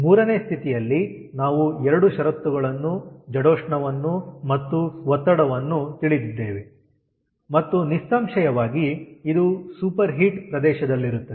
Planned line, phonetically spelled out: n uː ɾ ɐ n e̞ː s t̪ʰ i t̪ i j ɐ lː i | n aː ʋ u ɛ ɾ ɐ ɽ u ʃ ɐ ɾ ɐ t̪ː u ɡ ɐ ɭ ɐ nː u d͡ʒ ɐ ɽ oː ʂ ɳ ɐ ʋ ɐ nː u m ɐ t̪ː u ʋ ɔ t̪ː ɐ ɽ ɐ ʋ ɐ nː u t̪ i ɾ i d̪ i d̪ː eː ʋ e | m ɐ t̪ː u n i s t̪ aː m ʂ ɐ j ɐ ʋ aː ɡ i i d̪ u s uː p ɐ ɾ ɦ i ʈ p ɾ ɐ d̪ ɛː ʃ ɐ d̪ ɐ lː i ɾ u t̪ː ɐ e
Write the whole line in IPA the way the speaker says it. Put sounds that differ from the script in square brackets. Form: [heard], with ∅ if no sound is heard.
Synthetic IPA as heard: [m] uː ɾ ɐ n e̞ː s t̪ʰ i t̪ i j ɐ lː i | n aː ʋ u ɛ ɾ ɐ ɽ u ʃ ɐ ɾ ɐ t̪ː u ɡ ɐ ɭ ɐ nː u d͡ʒ ɐ ɽ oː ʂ ɳ ɐ ʋ ɐ nː u m ɐ t̪ː u ʋ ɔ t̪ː ɐ ɽ ɐ ʋ ɐ nː u t̪ i [ɭ] i d̪ i d̪ː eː ʋ e | m ɐ t̪ː u n i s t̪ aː m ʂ ɐ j ɐ ʋ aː ɡ i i d̪ u s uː p ɐ ɾ ɦ i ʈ p ɾ ɐ d̪ ɛː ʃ ɐ d̪ ɐ lː i ɾ u t̪ː ɐ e